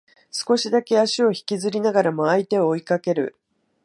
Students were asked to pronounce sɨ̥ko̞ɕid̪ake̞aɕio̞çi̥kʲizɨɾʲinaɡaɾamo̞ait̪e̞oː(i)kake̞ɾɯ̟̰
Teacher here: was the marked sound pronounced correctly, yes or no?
yes